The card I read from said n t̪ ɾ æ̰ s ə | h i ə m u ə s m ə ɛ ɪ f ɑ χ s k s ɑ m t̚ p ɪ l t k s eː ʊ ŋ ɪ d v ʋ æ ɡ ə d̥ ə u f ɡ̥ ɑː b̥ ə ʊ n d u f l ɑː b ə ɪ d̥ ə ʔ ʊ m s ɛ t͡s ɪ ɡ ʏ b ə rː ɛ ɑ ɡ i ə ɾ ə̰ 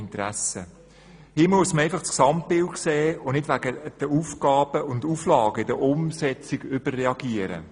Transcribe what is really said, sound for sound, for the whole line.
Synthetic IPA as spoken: n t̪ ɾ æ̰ s ə | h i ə m u ə s m ə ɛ ɪ f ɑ χ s k s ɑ m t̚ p ɪ l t k s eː ʊ n ɪ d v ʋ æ ɡ ə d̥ ə u f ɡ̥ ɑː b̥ ə ʊ n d u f l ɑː ɡ ə ɪ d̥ ə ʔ ʊ m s ɛ t͡s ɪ ɡ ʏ b ə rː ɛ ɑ ɡ i ə ɾ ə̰